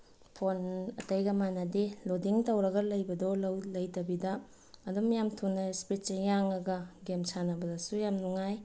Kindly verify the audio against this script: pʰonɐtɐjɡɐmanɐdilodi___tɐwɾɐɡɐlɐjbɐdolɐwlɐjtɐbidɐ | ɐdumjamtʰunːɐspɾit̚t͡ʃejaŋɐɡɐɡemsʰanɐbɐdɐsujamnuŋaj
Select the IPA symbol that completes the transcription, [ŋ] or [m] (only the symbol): ŋ